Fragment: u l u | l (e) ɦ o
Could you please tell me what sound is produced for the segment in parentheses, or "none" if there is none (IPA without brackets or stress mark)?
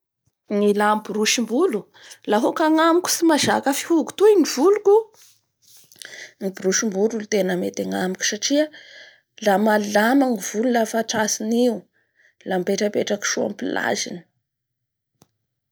a